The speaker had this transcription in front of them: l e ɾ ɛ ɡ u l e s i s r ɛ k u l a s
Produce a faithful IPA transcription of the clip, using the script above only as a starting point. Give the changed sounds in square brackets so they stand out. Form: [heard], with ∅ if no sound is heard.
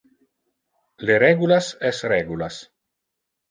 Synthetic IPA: l e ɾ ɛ ɡ u l [a] s [ɛ] s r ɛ [ɡ] u l a s